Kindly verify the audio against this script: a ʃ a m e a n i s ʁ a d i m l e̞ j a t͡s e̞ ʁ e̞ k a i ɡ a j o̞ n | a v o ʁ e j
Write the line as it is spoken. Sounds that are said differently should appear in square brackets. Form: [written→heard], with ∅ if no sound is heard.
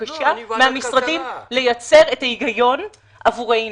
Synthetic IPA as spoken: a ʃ a m e a [n→m] i s ʁ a d i m l e̞ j a t͡s e̞ ʁ e̞ [k→t] a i ɡ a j o̞ n | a v [o→u] ʁ e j